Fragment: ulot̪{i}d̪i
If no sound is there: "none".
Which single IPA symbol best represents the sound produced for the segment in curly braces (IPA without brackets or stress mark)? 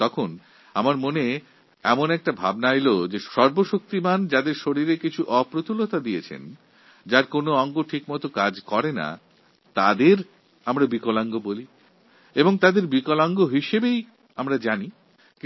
a